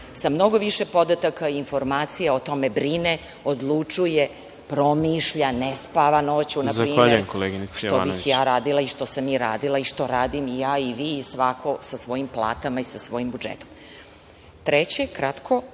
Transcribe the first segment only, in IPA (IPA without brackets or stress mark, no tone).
s